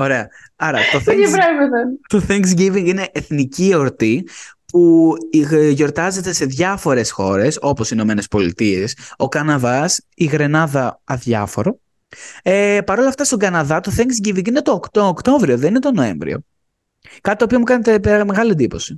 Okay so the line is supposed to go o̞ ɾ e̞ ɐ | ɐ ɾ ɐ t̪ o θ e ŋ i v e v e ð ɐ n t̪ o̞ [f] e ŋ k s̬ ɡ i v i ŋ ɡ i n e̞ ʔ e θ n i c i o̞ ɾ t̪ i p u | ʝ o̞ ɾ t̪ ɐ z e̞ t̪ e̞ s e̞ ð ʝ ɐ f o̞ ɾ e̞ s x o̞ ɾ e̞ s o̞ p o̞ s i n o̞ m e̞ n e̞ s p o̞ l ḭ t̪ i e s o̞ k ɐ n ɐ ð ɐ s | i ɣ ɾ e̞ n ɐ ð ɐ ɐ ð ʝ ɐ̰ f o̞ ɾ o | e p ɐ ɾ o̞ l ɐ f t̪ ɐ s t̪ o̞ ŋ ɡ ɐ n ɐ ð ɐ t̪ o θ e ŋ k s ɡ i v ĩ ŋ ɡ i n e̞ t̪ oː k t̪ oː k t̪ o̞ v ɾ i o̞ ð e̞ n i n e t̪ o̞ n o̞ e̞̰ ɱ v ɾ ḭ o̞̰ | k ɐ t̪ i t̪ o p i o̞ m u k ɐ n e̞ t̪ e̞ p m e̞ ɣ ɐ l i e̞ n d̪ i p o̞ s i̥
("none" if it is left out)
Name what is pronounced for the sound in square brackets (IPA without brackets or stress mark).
θ